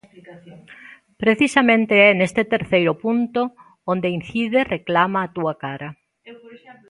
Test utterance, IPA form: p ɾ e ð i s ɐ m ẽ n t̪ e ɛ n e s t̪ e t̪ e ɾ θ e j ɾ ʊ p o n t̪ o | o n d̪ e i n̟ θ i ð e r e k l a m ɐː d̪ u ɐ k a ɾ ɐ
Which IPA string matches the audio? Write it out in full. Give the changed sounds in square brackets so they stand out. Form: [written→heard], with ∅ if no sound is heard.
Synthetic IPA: p ɾ e [ð→θ] i s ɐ m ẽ n t̪ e ɛ n e s t̪ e t̪ e ɾ θ e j ɾ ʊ p [o→u] n t̪ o | o n d̪ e i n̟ θ i ð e r e k l a m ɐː [d̪→t̪] u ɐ k a ɾ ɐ